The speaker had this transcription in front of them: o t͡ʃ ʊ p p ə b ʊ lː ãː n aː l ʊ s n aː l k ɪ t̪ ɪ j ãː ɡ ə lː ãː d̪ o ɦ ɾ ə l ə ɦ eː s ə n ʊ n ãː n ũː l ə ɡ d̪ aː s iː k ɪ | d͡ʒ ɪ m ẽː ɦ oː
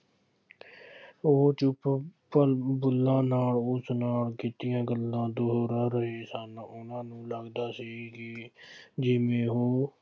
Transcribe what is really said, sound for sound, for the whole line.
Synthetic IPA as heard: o t͡ʃ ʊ p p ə b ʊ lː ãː n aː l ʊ s n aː l k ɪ t̪ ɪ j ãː ɡ ə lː ãː d̪ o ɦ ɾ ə ɾ ə ɦ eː s ə n ʊ n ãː n ũː l ə ɡ d̪ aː s iː k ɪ | d͡ʒ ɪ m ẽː ɦ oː